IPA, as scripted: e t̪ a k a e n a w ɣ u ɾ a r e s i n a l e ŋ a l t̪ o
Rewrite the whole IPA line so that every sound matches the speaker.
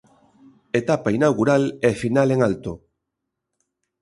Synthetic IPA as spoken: e t̪ a p a i n a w ɣ u ɾ a l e f i n a l e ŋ a l t̪ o